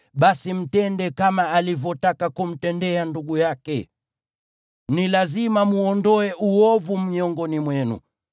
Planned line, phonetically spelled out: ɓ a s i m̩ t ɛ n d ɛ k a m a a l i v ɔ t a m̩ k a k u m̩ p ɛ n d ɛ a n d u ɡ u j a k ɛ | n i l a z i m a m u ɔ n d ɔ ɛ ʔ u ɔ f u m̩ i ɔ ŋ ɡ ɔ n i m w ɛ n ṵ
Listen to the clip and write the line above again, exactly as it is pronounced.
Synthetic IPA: ɓ a s i m̩ t ɛ n d ɛ k a m a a l i v ɔ t a k a k u m̩ t ɛ n d ɛ a n d u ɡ u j a k ɛ | n i l a z i m a m u ɔ n d ɔ ɛ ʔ u ɔ v u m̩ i ɔ ŋ ɡ ɔ n i m w ɛ n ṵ